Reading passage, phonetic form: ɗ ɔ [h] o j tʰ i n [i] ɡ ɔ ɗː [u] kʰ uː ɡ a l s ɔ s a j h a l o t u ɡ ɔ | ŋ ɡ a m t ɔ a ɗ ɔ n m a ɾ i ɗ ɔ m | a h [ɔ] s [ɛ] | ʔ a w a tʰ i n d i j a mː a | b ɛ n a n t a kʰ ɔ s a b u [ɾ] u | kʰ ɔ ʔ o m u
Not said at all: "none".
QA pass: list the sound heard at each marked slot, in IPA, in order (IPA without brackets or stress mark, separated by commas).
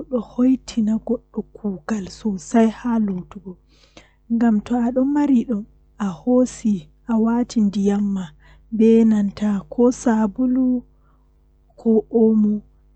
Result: h, a, ɔ, o, i, l